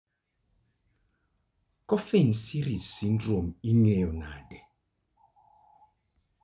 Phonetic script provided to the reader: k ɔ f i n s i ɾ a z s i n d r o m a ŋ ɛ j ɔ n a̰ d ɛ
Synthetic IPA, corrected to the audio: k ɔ f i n s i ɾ i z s i n d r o m i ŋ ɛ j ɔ n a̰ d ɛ